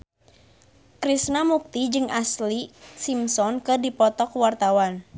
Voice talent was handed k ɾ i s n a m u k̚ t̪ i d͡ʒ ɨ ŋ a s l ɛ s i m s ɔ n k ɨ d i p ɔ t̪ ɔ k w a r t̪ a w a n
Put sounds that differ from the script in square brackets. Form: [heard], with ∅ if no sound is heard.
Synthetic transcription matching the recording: k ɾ i s n a m u k̚ t̪ i d͡ʒ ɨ ŋ a s l [i] s i m s ɔ n k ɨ d i p ɔ t̪ ɔ k w a r t̪ a w a n